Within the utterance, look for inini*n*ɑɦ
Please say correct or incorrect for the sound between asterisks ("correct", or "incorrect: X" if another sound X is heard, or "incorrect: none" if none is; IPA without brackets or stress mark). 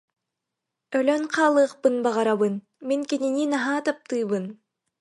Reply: correct